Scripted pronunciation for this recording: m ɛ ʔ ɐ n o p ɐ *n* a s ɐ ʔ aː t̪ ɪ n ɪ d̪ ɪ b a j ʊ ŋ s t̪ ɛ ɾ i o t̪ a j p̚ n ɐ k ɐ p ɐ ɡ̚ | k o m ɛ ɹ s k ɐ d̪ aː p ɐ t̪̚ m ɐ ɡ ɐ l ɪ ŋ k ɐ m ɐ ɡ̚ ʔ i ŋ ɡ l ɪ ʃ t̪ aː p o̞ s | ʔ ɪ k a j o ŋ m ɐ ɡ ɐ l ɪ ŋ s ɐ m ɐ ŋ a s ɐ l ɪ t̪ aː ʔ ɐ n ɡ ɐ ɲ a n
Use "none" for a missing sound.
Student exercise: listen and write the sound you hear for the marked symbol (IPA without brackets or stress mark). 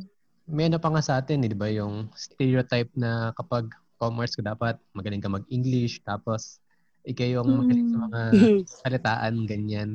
ŋ